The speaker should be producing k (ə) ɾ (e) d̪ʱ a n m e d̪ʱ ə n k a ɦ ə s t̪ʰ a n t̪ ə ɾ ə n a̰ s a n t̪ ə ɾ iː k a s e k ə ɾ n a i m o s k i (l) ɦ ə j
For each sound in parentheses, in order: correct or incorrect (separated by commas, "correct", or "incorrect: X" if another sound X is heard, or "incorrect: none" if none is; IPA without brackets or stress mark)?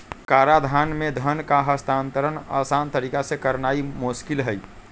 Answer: incorrect: a, incorrect: a, correct